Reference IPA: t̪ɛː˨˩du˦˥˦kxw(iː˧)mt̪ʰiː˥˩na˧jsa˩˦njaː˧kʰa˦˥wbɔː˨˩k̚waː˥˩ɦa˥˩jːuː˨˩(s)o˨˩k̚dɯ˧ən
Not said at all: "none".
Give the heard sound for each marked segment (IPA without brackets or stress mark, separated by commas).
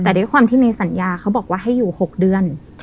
aː˧, h